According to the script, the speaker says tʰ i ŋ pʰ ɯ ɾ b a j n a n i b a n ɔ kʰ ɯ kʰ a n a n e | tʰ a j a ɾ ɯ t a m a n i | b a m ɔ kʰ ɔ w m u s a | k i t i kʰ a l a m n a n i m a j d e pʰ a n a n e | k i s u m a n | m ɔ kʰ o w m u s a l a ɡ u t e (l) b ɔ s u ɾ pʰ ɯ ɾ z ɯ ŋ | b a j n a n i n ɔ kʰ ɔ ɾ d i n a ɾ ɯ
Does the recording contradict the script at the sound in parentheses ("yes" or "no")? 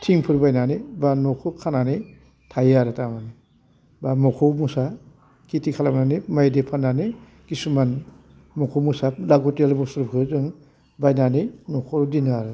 no